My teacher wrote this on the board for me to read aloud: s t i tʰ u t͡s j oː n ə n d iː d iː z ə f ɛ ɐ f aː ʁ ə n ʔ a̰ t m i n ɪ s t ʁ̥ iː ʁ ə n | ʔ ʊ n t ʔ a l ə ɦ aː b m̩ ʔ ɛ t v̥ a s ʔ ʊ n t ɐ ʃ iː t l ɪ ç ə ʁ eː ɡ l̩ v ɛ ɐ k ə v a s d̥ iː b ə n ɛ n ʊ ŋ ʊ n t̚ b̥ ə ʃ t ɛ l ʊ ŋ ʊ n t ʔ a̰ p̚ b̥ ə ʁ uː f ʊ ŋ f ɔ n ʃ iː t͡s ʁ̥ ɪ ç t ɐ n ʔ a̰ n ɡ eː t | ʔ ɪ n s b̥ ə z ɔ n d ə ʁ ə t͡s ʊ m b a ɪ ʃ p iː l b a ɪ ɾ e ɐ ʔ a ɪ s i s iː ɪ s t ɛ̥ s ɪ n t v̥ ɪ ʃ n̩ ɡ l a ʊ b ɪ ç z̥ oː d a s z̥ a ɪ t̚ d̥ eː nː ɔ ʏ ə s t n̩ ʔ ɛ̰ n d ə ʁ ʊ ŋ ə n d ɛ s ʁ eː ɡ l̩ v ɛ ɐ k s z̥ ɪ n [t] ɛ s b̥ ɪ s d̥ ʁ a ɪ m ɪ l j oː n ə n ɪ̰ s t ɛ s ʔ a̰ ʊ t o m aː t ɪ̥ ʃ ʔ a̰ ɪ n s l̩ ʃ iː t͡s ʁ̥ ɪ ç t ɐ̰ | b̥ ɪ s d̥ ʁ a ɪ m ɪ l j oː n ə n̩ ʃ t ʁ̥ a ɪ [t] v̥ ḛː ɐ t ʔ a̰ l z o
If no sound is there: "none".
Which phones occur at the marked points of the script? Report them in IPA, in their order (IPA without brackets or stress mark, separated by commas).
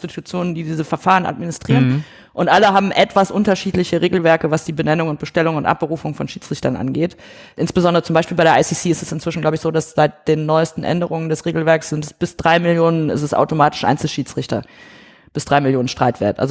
t, t